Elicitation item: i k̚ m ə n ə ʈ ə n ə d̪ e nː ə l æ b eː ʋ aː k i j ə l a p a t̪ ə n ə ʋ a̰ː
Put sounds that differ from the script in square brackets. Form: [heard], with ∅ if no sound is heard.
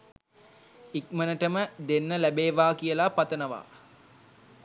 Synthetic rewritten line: i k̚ m ə n ə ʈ ə [m] ə d̪ e nː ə l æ b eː ʋ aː k i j ə l a p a t̪ ə n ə ʋ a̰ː